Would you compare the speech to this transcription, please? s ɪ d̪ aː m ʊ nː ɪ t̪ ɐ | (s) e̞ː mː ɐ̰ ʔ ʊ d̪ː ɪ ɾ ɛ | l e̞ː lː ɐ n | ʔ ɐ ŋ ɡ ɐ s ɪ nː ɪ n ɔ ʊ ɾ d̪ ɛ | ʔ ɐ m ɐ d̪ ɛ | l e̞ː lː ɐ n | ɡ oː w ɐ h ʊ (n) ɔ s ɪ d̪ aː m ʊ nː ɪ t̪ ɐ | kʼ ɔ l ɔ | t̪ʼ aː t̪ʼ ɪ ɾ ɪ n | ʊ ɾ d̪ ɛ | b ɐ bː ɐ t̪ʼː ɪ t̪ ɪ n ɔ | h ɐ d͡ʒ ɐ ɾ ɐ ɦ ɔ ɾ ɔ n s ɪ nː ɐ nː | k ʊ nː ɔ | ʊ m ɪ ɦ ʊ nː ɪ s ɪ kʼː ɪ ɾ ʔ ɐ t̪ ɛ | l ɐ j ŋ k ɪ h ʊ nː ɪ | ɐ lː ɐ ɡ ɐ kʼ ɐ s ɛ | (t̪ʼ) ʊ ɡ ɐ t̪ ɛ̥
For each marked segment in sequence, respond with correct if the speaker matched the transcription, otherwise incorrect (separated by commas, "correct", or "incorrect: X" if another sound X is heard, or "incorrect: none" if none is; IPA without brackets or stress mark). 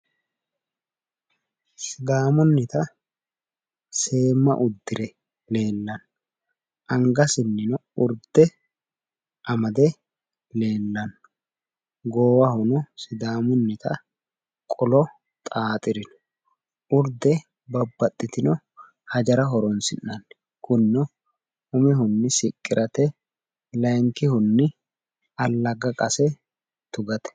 correct, correct, incorrect: t̪